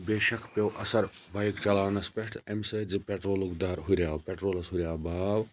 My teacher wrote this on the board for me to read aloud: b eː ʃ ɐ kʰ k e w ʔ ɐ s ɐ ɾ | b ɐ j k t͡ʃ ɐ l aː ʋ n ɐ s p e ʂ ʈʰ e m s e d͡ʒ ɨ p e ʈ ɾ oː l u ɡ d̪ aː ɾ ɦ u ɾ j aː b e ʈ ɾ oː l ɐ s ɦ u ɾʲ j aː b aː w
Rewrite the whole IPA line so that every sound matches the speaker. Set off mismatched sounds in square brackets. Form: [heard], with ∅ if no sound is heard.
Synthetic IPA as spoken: b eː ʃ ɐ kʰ [p] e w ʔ ɐ s ɐ ɾ | b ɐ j k t͡ʃ ɐ l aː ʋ n ɐ s p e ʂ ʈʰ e m s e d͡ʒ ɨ p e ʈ ɾ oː l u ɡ d̪ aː ɾ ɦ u ɾ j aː [p] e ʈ ɾ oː l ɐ s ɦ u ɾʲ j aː b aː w